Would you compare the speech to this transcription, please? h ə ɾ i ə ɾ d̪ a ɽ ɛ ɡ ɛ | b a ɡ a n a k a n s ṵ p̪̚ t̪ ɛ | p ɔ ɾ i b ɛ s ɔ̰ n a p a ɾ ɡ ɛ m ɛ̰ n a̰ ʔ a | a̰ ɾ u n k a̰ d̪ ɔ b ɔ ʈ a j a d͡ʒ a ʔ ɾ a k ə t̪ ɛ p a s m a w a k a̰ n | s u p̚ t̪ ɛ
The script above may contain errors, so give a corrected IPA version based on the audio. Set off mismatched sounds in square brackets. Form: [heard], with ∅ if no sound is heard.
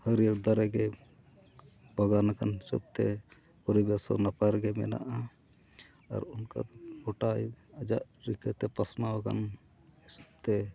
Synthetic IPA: h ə ɾ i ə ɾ d̪ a [ɾ] ɛ ɡ ɛ | b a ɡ a n a k a n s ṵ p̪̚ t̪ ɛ | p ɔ ɾ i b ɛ s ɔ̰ n a p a ɾ ɡ ɛ m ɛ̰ n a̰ ʔ a | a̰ ɾ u n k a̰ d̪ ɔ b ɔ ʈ a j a d͡ʒ a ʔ ɾ [i] k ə t̪ ɛ p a s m a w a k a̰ n | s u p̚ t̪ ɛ